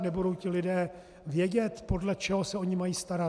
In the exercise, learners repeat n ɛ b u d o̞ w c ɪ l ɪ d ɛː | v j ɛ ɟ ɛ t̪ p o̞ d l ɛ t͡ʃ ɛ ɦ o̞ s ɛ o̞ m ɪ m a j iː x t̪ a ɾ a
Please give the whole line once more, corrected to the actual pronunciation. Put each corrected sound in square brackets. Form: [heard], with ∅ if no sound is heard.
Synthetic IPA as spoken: n ɛ b u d o̞ w c ɪ l ɪ d ɛː | v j ɛ ɟ ɛ t̪ p o̞ d l ɛ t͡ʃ ɛ ɦ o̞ s ɛ o̞ [ɲ] ɪ m a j iː [s] t̪ a ɾ a